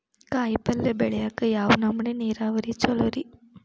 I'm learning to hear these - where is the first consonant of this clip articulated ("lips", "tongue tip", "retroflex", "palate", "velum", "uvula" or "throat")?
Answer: velum